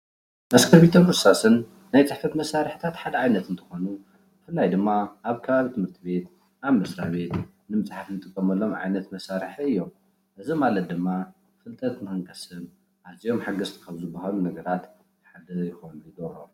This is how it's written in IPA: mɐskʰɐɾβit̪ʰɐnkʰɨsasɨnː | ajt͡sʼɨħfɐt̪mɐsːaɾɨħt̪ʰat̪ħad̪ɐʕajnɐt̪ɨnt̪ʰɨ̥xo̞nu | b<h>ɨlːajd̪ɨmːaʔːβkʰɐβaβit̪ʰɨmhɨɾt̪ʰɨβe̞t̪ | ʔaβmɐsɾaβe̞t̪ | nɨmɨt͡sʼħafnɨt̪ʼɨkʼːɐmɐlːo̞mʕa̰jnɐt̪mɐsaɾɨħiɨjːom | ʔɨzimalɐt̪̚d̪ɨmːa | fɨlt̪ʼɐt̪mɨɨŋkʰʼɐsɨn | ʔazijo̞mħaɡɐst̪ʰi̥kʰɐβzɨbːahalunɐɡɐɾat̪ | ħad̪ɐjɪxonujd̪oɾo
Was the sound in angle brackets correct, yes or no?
no